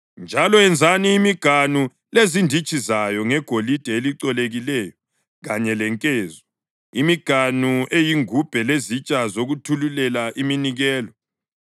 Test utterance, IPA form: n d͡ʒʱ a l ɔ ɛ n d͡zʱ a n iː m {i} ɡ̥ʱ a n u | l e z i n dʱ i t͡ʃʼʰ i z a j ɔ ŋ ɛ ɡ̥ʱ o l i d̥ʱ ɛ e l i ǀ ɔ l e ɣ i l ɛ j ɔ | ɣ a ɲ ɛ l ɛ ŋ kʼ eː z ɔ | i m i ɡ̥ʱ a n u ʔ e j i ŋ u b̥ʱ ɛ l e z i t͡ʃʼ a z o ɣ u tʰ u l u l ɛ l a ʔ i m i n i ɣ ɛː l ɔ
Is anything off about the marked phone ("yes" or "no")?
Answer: no